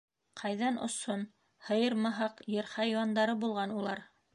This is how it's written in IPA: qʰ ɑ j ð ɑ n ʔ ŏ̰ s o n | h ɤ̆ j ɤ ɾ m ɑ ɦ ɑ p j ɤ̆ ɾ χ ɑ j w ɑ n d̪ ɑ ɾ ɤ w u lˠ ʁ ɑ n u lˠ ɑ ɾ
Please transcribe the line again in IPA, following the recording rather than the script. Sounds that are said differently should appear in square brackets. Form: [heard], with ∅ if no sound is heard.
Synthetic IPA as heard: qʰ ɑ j ð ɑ n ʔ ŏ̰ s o n | h ɤ̆ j ɤ ɾ m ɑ ɦ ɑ [q] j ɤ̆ ɾ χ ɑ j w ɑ n d̪ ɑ ɾ ɤ [b] u lˠ ʁ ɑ n u lˠ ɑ ɾ